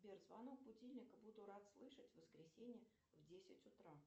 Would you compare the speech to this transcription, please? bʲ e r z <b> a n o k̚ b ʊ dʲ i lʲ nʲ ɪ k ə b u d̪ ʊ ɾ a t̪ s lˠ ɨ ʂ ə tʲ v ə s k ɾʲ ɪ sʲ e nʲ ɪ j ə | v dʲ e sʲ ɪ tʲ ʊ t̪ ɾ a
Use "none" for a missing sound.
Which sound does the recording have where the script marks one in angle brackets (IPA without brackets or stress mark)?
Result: v